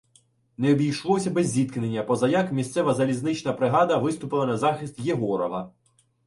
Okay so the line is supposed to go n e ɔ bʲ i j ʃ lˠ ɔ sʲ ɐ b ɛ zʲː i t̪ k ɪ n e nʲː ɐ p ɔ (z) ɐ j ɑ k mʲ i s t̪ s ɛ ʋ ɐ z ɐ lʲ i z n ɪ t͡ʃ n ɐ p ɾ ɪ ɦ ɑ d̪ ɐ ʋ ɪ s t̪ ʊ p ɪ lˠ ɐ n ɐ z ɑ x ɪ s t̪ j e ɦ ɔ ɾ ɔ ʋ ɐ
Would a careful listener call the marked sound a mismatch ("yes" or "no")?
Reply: no